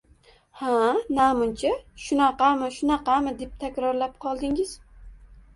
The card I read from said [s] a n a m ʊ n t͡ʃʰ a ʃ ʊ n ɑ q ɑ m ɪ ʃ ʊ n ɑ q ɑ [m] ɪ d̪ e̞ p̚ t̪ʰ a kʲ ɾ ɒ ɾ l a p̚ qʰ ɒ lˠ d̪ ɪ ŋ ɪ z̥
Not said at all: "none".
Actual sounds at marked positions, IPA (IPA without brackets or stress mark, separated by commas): h, m